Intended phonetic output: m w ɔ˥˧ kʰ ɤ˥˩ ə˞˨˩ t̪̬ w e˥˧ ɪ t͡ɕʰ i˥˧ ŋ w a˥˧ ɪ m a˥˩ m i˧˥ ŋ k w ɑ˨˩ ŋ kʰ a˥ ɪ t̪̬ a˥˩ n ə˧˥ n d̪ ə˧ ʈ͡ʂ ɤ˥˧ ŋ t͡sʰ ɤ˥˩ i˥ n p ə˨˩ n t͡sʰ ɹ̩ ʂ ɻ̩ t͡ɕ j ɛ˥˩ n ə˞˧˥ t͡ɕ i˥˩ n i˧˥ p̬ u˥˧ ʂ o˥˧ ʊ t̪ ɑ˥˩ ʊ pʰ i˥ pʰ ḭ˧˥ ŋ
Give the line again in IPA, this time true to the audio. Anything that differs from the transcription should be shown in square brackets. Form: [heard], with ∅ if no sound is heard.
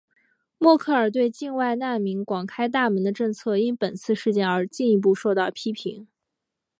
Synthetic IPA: m w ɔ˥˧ kʰ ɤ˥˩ ə˞˨˩ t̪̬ w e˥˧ ɪ [t͡ɕ] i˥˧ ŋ w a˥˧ ɪ [n] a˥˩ m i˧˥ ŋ k w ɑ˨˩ ŋ kʰ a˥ ɪ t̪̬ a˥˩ [m] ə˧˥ n d̪ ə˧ ʈ͡ʂ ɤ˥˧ ŋ t͡sʰ ɤ˥˩ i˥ n p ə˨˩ n t͡sʰ ɹ̩ ʂ ɻ̩ t͡ɕ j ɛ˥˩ n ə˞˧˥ t͡ɕ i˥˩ n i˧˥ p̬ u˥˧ ʂ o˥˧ ʊ t̪ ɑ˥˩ ʊ pʰ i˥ pʰ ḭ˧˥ ŋ